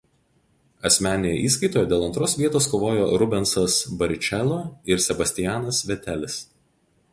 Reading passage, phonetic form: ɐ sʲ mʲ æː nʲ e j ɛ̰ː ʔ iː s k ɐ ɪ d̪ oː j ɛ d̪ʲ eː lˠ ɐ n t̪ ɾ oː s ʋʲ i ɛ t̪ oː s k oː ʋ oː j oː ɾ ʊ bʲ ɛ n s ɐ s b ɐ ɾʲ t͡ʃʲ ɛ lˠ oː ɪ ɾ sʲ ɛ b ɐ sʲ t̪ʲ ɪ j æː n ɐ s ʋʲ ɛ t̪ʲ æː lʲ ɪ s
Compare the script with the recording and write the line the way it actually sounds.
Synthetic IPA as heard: ɐ sʲ mʲ æː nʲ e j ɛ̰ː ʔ iː s k ɐ ɪ t̪ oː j ɛ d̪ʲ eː lˠ ɐ n t̪ ɾ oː s ʋʲ i ɛ t̪ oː s k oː ʋ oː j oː ɾ ʊ bʲ ɛ n s ɐ s b ɐ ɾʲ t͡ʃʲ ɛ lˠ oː ɪ ɾ sʲ ɛ b ɐ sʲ t̪ʲ ɪ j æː n ɐ s ʋʲ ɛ t̪ʲ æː lʲ ɪ s